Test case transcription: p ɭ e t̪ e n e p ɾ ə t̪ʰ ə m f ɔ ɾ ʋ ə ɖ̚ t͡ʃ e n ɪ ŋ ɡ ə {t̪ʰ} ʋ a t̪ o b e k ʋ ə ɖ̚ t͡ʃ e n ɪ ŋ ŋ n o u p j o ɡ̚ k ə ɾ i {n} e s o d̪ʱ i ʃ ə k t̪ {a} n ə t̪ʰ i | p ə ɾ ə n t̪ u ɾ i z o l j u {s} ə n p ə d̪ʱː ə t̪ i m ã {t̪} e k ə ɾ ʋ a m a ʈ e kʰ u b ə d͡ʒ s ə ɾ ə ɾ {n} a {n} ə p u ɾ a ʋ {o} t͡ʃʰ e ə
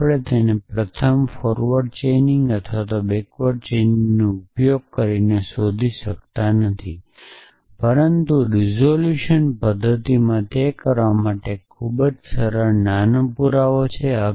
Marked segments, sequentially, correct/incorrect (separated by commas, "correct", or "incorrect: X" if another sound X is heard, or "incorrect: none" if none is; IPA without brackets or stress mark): correct, correct, correct, incorrect: ʃ, correct, correct, correct, correct